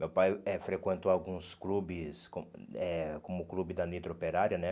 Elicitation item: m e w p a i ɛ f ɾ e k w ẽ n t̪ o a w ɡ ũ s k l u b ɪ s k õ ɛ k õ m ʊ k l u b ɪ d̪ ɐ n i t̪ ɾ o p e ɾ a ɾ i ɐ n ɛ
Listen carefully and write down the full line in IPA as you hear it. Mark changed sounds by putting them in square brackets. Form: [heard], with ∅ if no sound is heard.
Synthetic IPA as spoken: m e w p a [j] ɛ f ɾ e k w ẽ n t̪ o a w ɡ ũ s k l u b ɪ s k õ ɛ k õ m ʊ k l u b ɪ d̪ ɐ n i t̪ ɾ o p e ɾ a ɾ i ɐ n ɛ